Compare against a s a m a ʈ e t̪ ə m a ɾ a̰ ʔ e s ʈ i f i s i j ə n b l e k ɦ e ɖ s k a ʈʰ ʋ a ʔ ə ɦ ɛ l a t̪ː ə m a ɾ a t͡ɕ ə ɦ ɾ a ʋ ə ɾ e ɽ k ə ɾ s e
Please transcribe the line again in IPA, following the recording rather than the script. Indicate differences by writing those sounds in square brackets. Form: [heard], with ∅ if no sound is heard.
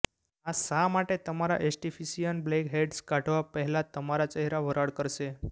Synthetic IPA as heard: a s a m a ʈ e t̪ ə m a ɾ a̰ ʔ e s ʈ i f i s i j ə n b l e k ɦ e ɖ s k a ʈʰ ʋ a [p] ə ɦ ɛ l a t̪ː ə m a ɾ a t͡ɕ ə ɦ ɾ a ʋ ə ɾ [a] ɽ k ə ɾ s e